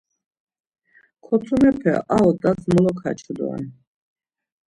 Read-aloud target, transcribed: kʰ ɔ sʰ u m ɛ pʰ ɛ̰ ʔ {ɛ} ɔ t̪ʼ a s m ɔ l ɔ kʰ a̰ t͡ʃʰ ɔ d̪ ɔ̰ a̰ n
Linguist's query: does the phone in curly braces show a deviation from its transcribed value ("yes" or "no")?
yes